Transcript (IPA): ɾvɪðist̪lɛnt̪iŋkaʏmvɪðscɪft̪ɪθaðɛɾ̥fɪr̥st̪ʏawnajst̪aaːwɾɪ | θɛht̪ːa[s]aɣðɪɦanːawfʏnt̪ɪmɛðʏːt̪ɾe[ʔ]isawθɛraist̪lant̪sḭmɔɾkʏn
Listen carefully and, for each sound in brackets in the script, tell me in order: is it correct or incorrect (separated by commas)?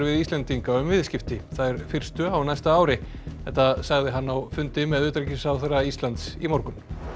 correct, incorrect